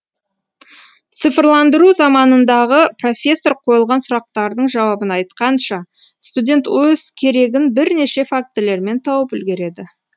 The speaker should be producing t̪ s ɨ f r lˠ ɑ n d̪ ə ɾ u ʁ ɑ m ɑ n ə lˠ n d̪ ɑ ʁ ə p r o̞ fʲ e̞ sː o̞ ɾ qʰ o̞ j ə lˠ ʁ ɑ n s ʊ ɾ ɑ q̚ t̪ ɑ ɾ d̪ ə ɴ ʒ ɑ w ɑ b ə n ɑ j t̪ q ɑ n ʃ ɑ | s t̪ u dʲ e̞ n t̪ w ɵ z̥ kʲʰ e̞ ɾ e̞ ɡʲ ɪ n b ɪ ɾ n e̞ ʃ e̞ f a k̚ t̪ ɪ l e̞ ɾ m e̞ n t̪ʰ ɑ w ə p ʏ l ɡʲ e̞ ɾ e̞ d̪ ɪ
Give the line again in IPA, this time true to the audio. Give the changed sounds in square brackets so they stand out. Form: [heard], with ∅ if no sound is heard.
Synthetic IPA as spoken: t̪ s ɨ f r lˠ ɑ n d̪ ə ɾ u [z] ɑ m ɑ n ə [∅] n d̪ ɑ ʁ ə p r o̞ fʲ e̞ sː o̞ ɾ qʰ o̞ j ə lˠ ʁ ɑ n s ʊ ɾ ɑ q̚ t̪ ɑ ɾ d̪ ə ɴ ʒ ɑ w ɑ b ə n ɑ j t̪ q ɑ n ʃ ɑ | s t̪ u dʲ e̞ n t̪ w ɵ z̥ kʲʰ e̞ ɾ e̞ ɡʲ ɪ n b ɪ ɾ n e̞ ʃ e̞ f a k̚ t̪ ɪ l e̞ ɾ m e̞ n t̪ʰ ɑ w ə p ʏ l ɡʲ e̞ ɾ e̞ d̪ ɪ